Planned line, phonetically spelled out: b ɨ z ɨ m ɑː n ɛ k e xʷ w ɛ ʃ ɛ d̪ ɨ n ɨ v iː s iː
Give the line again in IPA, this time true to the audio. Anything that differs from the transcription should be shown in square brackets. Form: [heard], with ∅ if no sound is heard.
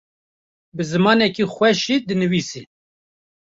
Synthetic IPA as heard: b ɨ z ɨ m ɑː n ɛ k [i] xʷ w ɛ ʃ [i] d̪ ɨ n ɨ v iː s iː